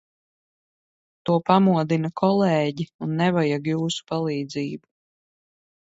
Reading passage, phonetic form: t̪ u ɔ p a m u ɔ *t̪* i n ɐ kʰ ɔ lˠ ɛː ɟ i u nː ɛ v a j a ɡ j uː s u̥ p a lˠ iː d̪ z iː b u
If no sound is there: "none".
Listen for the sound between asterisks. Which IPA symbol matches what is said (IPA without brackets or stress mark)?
d̪